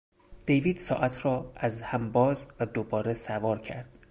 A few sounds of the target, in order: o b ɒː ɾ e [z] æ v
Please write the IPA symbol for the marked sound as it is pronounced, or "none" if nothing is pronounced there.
s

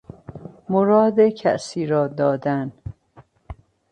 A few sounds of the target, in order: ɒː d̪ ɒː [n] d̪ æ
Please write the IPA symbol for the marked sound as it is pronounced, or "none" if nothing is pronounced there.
none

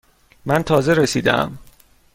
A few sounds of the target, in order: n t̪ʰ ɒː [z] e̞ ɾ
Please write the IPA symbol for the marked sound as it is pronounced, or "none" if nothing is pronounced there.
z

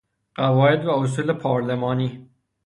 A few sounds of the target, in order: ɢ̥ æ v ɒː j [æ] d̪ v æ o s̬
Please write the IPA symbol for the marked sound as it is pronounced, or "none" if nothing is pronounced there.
e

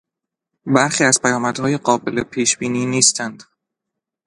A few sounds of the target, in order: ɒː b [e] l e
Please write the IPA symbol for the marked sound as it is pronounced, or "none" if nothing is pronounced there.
e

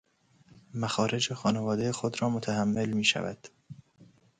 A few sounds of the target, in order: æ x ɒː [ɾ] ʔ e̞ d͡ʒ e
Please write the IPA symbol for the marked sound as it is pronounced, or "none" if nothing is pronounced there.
ɾ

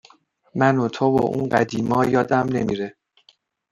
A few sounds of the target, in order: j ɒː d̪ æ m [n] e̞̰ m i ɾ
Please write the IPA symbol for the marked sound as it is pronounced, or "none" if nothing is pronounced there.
n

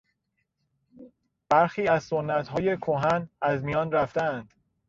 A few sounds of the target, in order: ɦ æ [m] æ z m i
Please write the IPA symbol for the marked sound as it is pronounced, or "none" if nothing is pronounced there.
n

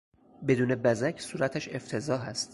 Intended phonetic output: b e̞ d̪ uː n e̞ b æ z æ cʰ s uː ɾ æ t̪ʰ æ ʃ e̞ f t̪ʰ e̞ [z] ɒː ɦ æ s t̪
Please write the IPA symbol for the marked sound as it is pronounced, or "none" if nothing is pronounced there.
z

